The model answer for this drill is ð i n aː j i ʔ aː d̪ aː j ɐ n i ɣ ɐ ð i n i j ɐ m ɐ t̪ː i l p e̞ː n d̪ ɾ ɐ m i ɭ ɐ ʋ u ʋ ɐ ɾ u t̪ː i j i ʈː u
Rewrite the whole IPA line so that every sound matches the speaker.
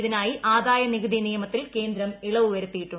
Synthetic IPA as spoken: ð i n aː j i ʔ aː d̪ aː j ɐ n i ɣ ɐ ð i n i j ɐ m ɐ t̪ː i l k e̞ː n d̪ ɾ ɐ m i ɭ ɐ ʋ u ʋ ɐ ɾ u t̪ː i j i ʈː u